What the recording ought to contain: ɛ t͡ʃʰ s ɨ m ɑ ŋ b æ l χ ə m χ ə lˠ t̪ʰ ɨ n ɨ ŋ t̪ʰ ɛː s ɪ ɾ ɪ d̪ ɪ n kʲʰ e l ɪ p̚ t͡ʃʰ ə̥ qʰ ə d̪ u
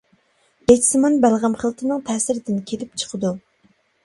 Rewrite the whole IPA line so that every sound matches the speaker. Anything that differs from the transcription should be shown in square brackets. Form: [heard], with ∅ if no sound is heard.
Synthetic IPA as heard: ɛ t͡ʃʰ s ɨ m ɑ [n] b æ l [ʁ] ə m χ ə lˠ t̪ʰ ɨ n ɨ ŋ t̪ʰ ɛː s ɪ ɾ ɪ d̪ ɪ n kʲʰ e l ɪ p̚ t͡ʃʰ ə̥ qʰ ə d̪ u